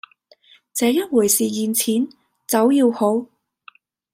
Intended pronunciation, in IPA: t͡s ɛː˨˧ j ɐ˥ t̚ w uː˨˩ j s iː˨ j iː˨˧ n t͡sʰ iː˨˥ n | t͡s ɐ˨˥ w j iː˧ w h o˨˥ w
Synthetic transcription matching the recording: t͡s ɛː˨˧ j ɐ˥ t̚ w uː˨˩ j s iː˨ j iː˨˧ n t͡sʰ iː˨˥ n | t͡s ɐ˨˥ w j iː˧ w h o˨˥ w